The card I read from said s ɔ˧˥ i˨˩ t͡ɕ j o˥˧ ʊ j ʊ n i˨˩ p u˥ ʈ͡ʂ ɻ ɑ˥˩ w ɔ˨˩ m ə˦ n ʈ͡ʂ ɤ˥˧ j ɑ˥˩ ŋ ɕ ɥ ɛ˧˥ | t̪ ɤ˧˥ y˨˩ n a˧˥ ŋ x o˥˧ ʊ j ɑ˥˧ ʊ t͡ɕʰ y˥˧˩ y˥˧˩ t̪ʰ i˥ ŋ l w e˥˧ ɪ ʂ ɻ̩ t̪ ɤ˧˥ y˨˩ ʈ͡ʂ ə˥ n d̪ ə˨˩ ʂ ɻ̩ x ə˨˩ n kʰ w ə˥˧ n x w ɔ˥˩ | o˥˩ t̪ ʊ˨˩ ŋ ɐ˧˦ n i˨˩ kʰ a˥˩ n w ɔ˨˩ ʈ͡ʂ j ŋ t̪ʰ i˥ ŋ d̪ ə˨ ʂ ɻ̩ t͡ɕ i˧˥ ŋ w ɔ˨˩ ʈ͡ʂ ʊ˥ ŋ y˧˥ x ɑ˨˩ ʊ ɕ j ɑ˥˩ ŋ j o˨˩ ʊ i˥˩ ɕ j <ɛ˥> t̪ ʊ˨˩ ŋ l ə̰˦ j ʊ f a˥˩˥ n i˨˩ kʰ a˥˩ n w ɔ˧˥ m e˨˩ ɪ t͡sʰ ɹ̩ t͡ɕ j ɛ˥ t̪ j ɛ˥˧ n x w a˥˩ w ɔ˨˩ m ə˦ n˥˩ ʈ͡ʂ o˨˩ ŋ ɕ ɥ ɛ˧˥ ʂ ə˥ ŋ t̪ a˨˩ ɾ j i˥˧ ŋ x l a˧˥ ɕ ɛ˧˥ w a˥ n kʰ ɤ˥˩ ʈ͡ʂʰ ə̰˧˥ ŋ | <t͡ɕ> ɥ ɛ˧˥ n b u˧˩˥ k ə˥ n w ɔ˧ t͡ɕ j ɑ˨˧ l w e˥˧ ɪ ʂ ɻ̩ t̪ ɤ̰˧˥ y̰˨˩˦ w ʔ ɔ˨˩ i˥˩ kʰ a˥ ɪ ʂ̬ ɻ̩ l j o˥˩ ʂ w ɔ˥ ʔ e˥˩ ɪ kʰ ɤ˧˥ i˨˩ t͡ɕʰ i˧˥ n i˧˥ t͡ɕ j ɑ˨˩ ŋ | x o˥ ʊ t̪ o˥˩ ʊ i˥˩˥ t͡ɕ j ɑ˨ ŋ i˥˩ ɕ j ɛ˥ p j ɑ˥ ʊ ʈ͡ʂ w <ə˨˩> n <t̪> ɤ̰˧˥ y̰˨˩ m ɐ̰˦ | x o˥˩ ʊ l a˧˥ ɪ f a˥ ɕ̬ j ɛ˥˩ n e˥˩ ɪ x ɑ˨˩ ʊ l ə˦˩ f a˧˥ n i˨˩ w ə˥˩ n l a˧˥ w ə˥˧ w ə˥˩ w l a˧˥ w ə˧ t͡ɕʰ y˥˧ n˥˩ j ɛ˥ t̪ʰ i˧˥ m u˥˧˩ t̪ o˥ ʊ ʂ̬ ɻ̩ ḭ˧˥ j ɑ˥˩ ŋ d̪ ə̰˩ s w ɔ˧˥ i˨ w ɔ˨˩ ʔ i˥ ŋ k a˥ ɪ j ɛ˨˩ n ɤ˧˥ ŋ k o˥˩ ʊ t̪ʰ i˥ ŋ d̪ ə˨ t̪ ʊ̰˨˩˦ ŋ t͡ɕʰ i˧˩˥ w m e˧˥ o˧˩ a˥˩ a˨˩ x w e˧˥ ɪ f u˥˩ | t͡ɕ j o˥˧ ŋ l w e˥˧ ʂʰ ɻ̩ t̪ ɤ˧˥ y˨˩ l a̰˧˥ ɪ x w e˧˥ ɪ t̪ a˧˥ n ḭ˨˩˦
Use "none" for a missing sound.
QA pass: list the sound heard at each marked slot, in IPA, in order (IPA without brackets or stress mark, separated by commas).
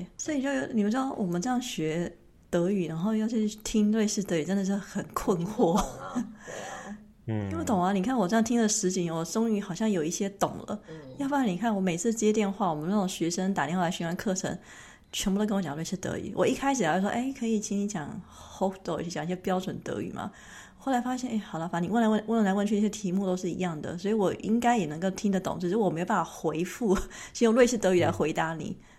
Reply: ɛ˥, t͡ɕʰ, ə˨˩, t̪